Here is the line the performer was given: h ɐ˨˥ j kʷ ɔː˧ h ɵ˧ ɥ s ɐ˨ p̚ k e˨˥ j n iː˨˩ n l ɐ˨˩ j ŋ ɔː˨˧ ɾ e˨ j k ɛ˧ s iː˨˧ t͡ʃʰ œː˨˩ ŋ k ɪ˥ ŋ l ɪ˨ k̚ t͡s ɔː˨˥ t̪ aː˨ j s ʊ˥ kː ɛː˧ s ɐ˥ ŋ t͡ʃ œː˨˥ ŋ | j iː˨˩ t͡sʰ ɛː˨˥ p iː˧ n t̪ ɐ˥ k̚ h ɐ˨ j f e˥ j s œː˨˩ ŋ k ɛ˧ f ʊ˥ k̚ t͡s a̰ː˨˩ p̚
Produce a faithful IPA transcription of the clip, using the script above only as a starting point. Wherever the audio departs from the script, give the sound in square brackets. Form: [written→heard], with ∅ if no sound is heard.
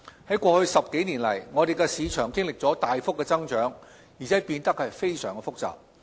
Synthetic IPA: h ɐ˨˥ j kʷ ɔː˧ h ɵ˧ ɥ s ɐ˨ p̚ k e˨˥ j n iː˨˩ n l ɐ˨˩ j ŋ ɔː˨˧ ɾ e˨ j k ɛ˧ s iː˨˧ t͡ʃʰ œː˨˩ ŋ k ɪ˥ ŋ l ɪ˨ k̚ t͡s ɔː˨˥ t̪ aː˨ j [s→f] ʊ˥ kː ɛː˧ [s→t͡s] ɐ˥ ŋ t͡ʃ œː˨˥ ŋ | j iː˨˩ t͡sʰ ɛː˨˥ p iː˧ n t̪ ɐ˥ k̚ h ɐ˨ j f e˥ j s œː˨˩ ŋ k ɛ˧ f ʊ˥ k̚ t͡s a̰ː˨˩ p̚